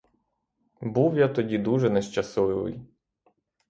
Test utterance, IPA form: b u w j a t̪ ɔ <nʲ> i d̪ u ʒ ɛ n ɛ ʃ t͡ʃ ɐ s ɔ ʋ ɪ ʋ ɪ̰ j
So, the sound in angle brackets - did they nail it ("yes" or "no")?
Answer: no